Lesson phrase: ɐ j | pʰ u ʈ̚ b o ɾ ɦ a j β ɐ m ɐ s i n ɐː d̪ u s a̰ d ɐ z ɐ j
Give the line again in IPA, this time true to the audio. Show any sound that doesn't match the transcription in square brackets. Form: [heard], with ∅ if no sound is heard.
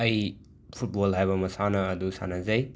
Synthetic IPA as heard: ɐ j | pʰ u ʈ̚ b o [l] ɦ a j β ɐ m ɐ s [a] n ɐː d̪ u s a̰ [n] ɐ z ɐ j